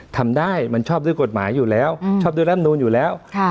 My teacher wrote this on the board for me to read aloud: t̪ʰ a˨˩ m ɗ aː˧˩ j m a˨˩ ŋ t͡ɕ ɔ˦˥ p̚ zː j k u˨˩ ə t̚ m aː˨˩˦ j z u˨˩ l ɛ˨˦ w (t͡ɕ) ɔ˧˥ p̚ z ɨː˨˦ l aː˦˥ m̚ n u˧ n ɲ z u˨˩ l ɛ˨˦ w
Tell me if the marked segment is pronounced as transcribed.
yes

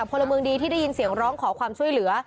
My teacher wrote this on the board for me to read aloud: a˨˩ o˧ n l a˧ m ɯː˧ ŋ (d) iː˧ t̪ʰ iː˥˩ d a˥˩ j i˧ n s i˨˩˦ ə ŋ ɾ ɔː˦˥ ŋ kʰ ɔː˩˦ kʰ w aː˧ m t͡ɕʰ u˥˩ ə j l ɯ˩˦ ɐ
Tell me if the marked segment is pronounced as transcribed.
yes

